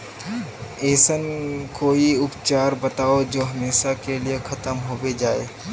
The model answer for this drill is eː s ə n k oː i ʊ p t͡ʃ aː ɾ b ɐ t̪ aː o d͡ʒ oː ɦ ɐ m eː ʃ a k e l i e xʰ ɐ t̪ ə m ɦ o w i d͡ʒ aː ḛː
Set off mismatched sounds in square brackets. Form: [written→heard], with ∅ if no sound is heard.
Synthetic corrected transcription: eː s ə n k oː i ʊ p t͡ʃ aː ɾ b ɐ t̪ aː o d͡ʒ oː ɦ ɐ m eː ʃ a k e l i e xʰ ɐ t̪ ə m ɦ o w [i→e] d͡ʒ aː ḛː